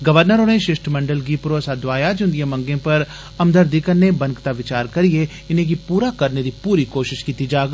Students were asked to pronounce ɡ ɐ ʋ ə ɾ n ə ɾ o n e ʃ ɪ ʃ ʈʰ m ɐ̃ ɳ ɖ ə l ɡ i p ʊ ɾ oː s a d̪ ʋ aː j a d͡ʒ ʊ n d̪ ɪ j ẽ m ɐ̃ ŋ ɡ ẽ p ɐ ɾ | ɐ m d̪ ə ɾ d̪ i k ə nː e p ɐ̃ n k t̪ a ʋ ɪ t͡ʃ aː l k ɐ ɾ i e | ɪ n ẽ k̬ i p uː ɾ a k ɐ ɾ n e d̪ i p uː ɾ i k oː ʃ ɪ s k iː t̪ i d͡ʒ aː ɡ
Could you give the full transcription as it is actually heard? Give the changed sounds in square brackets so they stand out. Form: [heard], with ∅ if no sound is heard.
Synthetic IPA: ɡ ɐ ʋ ə ɾ n ə ɾ o n e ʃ ɪ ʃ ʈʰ m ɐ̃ ɳ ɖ ə l ɡ i p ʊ ɾ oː s a d̪ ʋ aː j a d͡ʒ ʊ n d̪ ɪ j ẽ m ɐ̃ ŋ ɡ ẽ p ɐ ɾ | ɐ m d̪ ə ɾ d̪ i k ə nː e [b] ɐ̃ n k t̪ a ʋ ɪ t͡ʃ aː [ɾ] k ɐ ɾ i e | ɪ n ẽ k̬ i p uː ɾ a k ɐ ɾ n e d̪ i p uː ɾ i k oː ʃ ɪ [ʃ] k iː t̪ i d͡ʒ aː ɡ